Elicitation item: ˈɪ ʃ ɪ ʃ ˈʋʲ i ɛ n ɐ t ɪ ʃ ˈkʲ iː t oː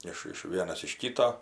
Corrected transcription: ˈɪ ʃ ɪ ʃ ˈʋʲ i ɛ n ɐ s ɪ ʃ ˈkʲ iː t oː